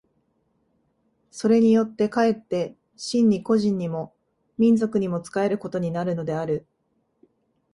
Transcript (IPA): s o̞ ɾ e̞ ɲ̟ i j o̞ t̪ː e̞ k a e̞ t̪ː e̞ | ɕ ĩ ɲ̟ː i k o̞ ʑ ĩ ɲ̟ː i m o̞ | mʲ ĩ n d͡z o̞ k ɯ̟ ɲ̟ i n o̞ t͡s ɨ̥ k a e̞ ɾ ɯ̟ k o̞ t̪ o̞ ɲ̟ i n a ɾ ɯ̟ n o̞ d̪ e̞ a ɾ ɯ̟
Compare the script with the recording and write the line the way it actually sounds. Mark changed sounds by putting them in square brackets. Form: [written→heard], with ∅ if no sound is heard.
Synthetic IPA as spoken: s o̞ ɾ e̞ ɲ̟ i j o̞ t̪ː e̞ k a e̞ t̪ː e̞ | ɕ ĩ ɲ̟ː i k o̞ ʑ ĩ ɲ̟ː i m o̞ | mʲ ĩ n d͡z o̞ k ɯ̟ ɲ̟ i [n→m] o̞ t͡s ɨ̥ k a e̞ ɾ ɯ̟ k o̞ t̪ o̞ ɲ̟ i n a ɾ ɯ̟ n o̞ d̪ e̞ a ɾ ɯ̟